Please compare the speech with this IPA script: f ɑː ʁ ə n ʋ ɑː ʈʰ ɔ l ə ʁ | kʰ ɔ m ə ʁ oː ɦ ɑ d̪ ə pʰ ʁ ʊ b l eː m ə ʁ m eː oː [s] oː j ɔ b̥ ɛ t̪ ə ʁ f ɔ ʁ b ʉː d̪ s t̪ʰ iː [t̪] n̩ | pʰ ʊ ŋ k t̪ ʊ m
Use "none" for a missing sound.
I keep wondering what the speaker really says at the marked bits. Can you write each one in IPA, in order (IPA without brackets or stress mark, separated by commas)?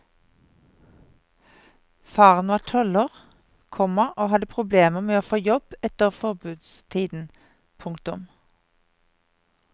f, d̪